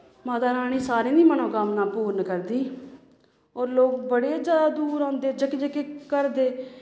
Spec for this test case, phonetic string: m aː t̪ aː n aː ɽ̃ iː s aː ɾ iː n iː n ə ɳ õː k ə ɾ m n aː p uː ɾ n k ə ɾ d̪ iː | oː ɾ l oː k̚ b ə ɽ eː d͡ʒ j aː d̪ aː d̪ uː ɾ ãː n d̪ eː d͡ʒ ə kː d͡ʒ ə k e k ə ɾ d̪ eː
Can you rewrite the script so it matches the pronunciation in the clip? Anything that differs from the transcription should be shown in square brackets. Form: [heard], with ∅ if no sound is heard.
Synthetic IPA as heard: m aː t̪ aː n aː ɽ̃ iː s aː ɾ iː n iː [m] ə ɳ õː k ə [∅] m n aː p uː ɾ n k ə ɾ d̪ iː | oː ɾ l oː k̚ b ə ɽ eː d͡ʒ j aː d̪ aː d̪ uː ɾ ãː n d̪ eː d͡ʒ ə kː d͡ʒ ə k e k ə ɾ d̪ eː